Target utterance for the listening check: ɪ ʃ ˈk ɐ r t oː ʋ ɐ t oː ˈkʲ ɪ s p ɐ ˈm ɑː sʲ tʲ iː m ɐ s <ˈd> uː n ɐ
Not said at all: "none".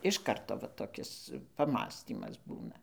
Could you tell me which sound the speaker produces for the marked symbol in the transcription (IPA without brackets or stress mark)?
b